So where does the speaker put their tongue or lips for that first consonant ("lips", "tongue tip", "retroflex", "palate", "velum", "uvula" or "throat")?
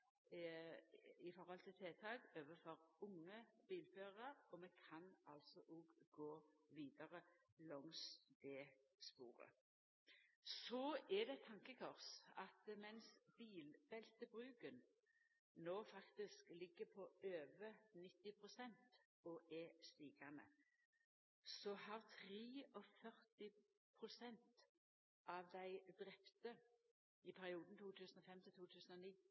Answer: lips